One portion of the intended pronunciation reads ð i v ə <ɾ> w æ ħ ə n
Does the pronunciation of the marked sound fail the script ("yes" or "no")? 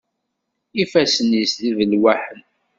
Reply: yes